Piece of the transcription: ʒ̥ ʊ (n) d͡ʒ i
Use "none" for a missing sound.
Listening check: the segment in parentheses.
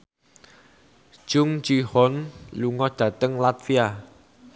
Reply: ŋ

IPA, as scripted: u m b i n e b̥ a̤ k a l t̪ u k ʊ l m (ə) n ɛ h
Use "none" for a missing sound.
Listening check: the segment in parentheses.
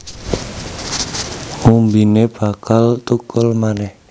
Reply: a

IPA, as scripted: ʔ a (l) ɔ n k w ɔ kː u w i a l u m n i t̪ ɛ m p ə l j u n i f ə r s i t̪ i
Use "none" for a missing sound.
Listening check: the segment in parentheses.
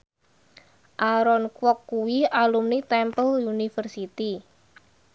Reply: ɾ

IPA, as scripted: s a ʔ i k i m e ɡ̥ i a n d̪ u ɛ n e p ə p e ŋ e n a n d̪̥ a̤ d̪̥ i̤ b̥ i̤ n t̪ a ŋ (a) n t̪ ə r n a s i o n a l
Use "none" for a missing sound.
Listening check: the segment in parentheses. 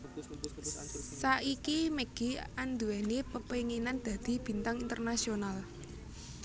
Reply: i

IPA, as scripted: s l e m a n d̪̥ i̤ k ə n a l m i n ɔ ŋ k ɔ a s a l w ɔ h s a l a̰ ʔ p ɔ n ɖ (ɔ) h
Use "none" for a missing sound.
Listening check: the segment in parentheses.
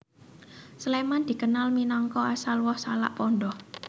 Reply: ɔ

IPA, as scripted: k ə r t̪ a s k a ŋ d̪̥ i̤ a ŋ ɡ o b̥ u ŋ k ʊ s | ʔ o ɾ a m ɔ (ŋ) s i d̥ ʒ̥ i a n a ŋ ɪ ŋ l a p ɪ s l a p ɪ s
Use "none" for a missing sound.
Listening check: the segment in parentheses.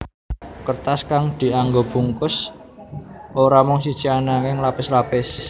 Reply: ŋ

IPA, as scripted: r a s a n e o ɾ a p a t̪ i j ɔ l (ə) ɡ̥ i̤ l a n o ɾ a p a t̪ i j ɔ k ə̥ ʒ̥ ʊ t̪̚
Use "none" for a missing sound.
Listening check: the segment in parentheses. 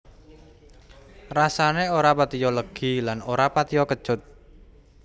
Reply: ə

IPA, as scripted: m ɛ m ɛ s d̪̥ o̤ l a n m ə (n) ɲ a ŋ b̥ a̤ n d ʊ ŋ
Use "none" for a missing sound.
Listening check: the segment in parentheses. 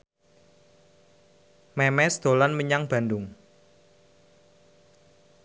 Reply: none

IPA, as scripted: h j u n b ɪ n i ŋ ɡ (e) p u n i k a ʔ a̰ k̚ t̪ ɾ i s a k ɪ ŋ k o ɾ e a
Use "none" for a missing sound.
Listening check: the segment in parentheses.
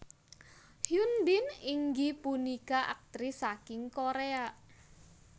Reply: i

